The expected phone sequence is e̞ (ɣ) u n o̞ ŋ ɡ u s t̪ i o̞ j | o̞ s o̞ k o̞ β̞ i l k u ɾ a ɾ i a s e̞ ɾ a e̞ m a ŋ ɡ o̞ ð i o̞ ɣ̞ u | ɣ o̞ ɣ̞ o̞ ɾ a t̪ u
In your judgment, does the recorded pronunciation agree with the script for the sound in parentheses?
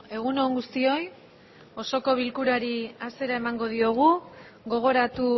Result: yes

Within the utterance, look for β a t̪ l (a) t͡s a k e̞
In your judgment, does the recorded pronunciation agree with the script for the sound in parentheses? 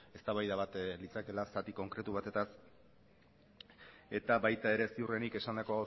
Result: no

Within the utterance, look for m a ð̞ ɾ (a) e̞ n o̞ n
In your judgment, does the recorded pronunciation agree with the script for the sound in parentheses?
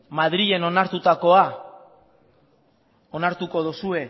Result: no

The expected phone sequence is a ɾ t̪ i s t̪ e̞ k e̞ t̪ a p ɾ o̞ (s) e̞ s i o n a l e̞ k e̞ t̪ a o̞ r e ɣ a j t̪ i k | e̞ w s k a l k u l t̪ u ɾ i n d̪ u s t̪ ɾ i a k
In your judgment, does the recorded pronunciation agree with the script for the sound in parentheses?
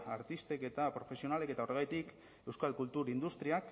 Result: no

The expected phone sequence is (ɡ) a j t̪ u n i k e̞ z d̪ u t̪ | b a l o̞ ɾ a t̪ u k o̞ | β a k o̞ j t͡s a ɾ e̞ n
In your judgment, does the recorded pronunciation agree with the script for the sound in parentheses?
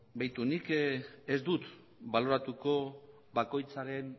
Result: no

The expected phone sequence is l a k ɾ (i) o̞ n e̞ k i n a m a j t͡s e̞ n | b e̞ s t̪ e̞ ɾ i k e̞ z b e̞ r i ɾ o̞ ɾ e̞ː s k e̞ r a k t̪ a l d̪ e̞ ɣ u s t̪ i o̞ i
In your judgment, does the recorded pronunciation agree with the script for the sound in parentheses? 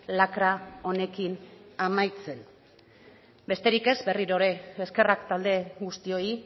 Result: no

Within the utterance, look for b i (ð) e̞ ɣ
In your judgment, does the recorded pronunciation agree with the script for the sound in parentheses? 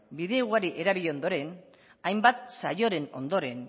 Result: yes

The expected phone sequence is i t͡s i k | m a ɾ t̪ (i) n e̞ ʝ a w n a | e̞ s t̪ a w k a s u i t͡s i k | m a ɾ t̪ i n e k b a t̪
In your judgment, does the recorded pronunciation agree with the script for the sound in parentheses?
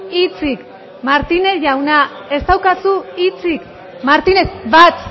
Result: yes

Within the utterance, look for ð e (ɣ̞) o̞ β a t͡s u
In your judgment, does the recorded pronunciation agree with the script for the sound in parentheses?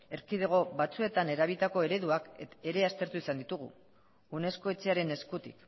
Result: yes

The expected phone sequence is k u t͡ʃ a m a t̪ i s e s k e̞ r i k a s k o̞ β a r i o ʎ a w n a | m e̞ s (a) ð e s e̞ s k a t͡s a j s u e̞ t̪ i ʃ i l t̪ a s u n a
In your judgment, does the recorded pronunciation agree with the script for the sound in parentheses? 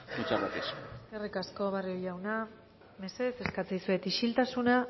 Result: no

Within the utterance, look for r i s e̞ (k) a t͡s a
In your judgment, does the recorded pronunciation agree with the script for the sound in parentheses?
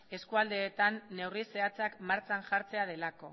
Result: no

